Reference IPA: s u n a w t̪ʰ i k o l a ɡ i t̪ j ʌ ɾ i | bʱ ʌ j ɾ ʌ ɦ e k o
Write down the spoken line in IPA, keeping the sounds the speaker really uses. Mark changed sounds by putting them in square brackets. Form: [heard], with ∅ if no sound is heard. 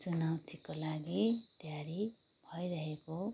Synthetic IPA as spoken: [t͡s] u n a w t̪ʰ i k o l a ɡ i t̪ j [a] ɾ i | bʱ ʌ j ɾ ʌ ɦ e k o